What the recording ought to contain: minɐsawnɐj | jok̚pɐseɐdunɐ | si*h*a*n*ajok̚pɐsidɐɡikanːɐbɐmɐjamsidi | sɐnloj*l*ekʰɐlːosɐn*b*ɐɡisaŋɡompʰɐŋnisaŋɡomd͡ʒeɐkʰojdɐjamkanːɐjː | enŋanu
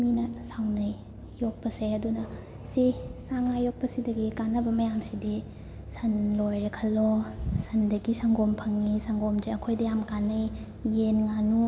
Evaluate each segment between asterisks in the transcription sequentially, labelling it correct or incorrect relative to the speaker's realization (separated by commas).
incorrect, incorrect, incorrect, incorrect